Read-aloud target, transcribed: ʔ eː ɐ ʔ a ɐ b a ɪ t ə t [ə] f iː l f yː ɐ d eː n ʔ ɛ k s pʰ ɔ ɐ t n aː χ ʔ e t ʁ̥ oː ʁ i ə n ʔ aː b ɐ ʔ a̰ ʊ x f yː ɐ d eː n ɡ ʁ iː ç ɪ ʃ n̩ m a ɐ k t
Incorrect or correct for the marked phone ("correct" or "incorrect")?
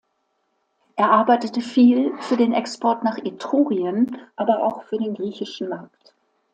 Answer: correct